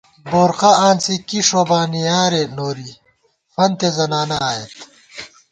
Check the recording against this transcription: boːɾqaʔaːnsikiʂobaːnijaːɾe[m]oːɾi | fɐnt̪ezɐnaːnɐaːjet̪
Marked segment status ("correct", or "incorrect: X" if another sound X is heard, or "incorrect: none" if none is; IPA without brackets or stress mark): incorrect: n